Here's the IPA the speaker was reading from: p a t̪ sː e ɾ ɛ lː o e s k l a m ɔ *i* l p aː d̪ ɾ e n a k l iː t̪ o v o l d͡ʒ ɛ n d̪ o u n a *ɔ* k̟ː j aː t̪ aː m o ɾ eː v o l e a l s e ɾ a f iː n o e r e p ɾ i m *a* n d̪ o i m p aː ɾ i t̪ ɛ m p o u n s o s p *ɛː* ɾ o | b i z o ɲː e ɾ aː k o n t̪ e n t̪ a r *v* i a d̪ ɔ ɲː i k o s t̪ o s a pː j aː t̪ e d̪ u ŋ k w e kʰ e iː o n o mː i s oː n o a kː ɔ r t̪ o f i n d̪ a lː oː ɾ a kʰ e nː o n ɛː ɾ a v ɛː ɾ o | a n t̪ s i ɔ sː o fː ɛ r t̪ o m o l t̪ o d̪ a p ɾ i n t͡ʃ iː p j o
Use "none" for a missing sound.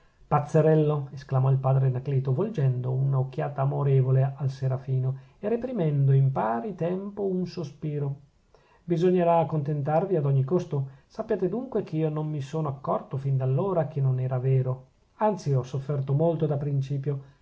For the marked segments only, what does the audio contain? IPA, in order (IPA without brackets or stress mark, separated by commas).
i, o, ɛ, iː, v